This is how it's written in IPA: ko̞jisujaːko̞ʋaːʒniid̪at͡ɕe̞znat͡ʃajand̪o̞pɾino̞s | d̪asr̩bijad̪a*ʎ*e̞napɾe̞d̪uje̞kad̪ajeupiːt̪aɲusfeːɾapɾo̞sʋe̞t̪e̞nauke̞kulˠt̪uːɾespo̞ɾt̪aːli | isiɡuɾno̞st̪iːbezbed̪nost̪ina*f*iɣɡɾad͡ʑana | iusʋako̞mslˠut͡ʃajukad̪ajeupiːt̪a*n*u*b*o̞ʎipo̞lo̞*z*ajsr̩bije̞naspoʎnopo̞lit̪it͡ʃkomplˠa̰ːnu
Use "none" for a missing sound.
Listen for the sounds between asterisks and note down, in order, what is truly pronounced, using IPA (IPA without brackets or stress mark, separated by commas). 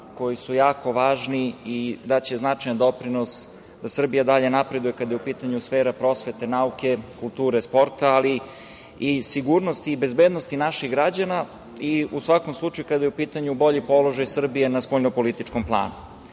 ʎ, ʃ, ɲ, b, ʒ